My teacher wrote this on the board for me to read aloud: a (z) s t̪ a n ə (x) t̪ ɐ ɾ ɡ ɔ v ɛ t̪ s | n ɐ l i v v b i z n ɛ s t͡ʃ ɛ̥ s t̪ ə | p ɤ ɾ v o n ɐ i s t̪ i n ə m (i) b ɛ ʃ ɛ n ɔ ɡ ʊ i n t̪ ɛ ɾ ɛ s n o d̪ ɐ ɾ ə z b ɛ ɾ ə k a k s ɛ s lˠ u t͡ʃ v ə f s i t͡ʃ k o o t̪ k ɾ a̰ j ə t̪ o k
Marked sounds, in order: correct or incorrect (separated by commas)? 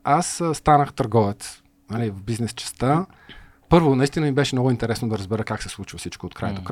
incorrect, correct, correct